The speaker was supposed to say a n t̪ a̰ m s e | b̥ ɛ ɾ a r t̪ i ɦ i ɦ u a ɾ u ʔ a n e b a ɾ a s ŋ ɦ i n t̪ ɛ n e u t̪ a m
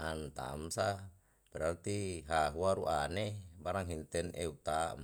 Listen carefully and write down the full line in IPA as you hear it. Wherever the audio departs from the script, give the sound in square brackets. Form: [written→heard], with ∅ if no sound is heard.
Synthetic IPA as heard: a n t̪ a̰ m s [e→a] | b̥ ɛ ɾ a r t̪ i ɦ [i→a] ɦ u a ɾ u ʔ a n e b a ɾ a [s→∅] ŋ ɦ i n t̪ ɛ n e u t̪ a m